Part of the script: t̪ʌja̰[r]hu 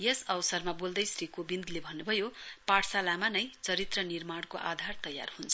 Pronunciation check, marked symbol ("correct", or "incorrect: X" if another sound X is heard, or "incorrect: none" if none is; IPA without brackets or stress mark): correct